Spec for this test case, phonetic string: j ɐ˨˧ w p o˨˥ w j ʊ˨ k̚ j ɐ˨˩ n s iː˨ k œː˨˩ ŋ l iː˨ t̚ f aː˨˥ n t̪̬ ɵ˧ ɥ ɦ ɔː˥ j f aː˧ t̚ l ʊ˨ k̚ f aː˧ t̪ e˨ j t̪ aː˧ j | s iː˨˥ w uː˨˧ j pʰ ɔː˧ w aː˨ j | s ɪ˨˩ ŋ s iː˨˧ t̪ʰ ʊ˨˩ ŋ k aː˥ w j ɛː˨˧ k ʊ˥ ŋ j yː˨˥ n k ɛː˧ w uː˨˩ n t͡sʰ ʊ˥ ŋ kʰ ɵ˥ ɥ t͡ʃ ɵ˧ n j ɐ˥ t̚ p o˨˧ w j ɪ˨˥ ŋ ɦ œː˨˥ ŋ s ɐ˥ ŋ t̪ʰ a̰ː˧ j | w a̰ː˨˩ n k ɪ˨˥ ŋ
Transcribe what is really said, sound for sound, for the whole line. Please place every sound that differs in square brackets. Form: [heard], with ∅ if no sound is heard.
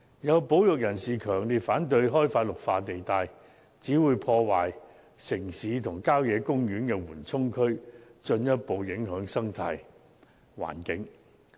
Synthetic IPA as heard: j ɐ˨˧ w p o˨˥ w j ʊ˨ k̚ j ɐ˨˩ n s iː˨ [kʰ] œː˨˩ ŋ l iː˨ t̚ f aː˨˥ n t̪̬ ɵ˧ ɥ ɦ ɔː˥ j f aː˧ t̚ l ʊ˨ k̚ f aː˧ t̪ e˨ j t̪ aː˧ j | [t͡s] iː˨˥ w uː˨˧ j pʰ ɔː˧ w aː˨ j | s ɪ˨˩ ŋ s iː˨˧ t̪ʰ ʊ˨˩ ŋ k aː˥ w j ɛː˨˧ k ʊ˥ ŋ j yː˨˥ n k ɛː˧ w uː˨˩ n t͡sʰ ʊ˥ ŋ kʰ ɵ˥ ɥ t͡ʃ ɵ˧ n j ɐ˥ t̚ p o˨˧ w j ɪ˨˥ ŋ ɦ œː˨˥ ŋ s ɐ˥ ŋ t̪ʰ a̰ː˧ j | w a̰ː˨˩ n k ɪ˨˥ ŋ